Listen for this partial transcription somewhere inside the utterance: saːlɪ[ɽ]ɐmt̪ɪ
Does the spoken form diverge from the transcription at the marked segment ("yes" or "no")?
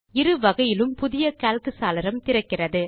yes